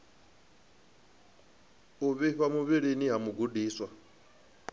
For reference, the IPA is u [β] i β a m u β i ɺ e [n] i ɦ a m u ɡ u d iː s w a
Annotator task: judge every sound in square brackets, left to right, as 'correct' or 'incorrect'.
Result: correct, correct

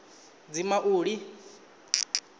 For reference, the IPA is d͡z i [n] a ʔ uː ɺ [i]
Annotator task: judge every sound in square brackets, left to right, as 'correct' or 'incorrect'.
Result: incorrect: m, correct

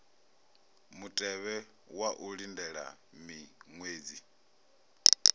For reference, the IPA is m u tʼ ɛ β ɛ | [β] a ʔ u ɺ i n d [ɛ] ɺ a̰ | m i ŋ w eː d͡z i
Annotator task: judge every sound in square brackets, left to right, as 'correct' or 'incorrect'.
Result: incorrect: w, correct

